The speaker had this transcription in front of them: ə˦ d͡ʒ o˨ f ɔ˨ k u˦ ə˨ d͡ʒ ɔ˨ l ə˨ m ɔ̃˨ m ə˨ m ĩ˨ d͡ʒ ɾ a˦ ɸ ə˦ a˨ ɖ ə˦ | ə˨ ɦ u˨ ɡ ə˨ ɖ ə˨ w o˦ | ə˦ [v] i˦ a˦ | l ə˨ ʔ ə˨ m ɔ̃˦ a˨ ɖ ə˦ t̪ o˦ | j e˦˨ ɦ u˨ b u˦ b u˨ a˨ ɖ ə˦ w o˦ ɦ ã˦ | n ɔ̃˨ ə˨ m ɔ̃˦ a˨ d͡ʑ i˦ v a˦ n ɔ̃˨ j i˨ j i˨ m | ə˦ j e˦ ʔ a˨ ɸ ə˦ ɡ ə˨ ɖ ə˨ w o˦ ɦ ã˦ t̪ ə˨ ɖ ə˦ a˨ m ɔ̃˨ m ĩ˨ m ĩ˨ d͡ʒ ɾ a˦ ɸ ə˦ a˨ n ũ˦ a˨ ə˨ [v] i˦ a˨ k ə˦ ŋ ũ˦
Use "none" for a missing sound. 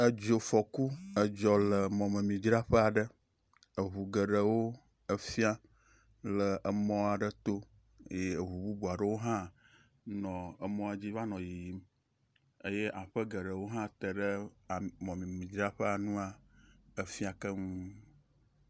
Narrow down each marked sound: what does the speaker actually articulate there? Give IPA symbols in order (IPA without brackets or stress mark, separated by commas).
f, f